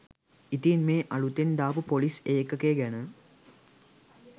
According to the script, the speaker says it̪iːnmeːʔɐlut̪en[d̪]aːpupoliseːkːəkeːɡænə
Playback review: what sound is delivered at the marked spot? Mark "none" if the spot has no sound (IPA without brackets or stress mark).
d̪